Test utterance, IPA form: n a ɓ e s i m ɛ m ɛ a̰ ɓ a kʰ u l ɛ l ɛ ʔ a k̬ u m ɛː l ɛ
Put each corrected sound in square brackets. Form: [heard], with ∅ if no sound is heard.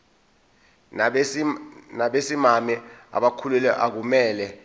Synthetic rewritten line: n a ɓ e s i m [a] m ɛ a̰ ɓ a kʰ u l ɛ l ɛ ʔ a k̬ u m ɛː l ɛ